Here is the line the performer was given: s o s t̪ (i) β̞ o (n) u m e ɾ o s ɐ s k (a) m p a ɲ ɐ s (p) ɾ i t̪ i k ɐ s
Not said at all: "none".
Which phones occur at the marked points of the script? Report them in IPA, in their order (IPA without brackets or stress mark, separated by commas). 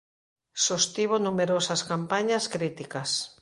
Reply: i, n, a, k